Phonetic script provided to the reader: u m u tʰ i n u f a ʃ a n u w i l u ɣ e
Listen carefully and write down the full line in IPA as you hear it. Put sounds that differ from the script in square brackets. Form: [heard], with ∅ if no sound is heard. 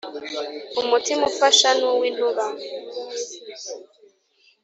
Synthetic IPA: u m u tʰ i [m] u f a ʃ a n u w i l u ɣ [a]